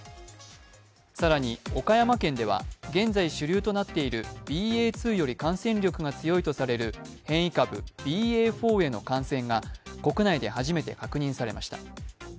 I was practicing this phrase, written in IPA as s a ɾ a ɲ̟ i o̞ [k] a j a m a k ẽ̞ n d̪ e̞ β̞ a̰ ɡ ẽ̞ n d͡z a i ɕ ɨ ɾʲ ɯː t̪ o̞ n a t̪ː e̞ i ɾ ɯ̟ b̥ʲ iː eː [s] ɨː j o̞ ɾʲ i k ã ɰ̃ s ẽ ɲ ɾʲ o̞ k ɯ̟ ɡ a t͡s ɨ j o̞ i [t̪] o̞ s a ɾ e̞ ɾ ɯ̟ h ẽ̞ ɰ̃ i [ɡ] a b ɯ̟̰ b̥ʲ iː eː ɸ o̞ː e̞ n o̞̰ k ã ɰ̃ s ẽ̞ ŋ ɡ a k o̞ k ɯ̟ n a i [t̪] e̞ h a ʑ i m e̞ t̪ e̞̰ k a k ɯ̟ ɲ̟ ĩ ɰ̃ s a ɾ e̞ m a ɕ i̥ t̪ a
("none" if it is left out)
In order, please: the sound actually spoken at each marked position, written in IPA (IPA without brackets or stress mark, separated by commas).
k, t͡s, t̪, k, d̪